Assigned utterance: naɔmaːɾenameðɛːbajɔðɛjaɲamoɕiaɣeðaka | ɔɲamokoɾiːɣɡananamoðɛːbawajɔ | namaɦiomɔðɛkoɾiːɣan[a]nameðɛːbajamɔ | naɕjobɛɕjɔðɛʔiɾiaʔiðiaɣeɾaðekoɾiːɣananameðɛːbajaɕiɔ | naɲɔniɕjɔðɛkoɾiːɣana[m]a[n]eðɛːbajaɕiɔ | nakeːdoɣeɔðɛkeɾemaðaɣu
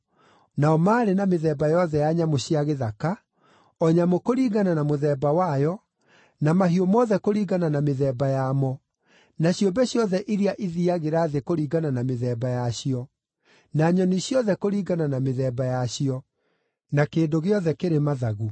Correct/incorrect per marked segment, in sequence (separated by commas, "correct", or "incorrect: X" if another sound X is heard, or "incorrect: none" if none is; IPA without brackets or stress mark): correct, incorrect: n, incorrect: m